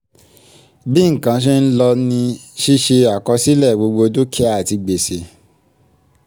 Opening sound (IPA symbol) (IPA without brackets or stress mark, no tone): b